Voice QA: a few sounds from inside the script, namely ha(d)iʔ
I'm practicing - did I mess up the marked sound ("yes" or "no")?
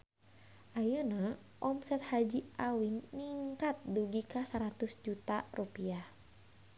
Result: yes